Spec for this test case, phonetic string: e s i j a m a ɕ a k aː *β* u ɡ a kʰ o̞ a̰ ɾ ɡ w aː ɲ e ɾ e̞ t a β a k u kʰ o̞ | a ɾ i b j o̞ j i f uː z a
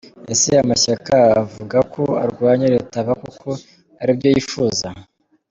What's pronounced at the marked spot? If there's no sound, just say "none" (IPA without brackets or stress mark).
v